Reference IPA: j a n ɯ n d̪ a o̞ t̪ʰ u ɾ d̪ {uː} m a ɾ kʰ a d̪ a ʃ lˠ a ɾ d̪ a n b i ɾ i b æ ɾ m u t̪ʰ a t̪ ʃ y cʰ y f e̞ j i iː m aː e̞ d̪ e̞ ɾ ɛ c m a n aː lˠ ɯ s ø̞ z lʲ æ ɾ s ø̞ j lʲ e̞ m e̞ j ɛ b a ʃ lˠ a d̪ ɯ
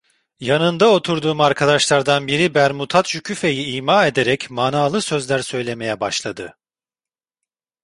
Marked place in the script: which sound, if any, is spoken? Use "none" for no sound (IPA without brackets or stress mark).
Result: uː